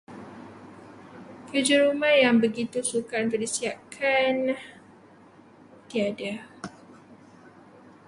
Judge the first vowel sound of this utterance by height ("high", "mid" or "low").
mid